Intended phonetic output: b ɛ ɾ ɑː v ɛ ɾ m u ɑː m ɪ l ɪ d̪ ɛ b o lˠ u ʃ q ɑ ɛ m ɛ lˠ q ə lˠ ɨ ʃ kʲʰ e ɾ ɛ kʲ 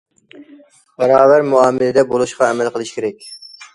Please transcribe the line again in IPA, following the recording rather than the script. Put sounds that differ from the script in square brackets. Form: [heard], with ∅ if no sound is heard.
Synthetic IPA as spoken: b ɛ ɾ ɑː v [æ] ɾ m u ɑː m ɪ l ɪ d̪ ɛ b o lˠ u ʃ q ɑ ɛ m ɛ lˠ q ə lˠ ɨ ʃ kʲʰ e ɾ ɛ kʲ